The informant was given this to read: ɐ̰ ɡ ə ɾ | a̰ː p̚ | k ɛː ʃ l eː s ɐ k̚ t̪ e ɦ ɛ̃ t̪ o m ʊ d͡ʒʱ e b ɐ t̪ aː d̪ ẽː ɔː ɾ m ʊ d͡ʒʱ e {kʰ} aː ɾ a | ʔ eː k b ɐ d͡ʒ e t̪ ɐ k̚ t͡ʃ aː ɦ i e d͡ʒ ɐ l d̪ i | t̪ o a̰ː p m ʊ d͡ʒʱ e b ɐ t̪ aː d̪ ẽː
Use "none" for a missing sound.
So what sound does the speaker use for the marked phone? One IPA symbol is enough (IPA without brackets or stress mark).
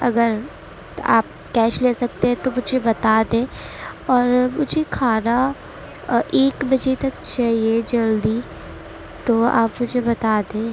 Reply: kʰ